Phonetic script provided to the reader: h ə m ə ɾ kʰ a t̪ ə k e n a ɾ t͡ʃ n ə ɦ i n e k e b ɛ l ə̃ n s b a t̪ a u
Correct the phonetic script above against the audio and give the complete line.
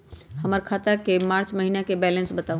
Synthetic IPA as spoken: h ə m ə ɾ kʰ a t̪ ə k e m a ɾ t͡ʃ m ə ɦ i n a k e b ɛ l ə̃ n s b ə t̪ a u